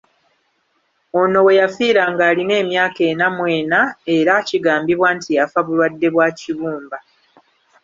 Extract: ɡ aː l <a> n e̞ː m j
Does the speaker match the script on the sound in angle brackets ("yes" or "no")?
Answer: no